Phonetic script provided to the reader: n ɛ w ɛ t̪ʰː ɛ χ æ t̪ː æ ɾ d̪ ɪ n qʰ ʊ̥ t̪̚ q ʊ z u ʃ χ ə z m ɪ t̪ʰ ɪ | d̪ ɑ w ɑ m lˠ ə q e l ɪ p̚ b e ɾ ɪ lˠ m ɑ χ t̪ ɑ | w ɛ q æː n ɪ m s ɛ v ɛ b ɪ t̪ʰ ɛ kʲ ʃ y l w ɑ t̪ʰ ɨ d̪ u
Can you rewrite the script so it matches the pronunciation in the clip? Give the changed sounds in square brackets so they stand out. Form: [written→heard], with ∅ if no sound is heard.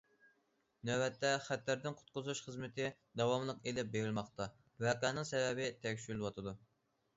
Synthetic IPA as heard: n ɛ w ɛ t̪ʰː ɛ χ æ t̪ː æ ɾ d̪ ɪ n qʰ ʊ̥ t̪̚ q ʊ z u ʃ χ ə z m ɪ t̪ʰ ɪ | d̪ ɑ w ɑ m lˠ ə q e l ɪ p̚ b e ɾ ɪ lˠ m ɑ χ t̪ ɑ | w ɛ q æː n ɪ [m→ŋ] s ɛ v ɛ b ɪ t̪ʰ ɛ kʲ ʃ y l w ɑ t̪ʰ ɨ d̪ u

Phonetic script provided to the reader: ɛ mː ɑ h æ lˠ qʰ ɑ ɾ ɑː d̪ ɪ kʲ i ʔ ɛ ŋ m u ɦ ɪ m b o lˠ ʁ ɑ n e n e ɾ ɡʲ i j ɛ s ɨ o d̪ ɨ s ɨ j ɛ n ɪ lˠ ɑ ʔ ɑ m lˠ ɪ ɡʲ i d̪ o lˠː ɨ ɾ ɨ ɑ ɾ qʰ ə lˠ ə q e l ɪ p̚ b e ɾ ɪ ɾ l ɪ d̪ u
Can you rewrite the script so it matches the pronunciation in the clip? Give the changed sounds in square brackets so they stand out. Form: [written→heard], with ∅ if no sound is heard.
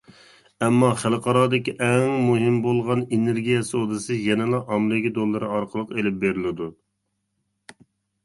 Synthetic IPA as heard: ɛ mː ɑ [h→χ] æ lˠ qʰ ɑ ɾ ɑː d̪ ɪ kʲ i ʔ ɛ ŋ m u ɦ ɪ m b o lˠ ʁ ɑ n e n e ɾ ɡʲ i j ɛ s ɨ o d̪ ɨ s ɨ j ɛ n ɪ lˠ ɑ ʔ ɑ m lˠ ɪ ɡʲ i d̪ o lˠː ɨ ɾ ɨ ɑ ɾ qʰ ə lˠ ə q e l ɪ p̚ b e ɾ ɪ [ɾ→∅] l ɪ d̪ u

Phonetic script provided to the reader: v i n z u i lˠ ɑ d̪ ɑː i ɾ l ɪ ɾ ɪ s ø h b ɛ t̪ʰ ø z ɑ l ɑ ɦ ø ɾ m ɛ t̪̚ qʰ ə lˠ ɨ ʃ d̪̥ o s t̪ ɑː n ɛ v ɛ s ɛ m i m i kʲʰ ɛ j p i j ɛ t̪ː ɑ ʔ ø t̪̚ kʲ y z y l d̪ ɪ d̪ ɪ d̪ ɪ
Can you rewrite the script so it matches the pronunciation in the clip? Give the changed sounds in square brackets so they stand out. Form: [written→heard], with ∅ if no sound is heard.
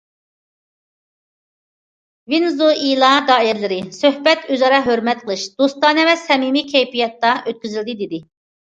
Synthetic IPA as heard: v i n z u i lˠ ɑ d̪ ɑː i ɾ l ɪ ɾ ɪ s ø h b ɛ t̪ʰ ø z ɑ [l→ɾ] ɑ ɦ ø ɾ m ɛ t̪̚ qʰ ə lˠ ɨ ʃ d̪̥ o s t̪ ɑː n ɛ v ɛ s ɛ m i m i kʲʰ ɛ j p i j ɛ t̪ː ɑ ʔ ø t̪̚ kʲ y z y l d̪ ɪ d̪ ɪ d̪ ɪ

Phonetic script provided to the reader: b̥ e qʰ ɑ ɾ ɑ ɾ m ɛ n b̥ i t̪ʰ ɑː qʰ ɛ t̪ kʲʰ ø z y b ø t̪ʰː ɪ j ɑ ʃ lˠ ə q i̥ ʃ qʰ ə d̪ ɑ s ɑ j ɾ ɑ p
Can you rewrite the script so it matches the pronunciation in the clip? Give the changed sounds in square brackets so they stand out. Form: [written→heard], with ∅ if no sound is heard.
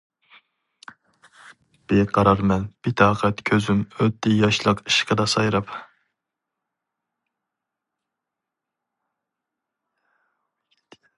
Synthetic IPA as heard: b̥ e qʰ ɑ ɾ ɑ ɾ m ɛ n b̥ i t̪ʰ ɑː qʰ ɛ t̪ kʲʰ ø z y [b→m] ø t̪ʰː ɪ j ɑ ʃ lˠ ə q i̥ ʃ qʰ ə d̪ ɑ s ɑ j ɾ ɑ p

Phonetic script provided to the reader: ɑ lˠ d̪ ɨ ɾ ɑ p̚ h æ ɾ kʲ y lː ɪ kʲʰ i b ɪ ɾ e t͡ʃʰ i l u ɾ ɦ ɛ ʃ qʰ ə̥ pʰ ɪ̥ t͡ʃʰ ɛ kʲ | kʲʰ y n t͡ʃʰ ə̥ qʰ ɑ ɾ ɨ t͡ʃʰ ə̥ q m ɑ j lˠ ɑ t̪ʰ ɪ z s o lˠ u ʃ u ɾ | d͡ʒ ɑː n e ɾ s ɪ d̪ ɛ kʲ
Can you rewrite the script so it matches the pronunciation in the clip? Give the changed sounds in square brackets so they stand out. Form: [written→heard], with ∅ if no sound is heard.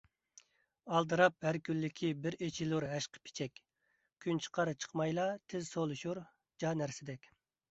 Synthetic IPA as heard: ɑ lˠ d̪ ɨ ɾ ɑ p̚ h æ ɾ kʲ y lː ɪ kʲʰ i b ɪ ɾ e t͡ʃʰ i l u ɾ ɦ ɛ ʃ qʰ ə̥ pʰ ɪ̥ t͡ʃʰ ɛ kʲ | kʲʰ y n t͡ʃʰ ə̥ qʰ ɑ ɾ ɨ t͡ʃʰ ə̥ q m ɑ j lˠ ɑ t̪ʰ ɪ z s o lˠ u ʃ u ɾ | d͡ʒ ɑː n [e→æ] ɾ s ɪ d̪ ɛ kʲ

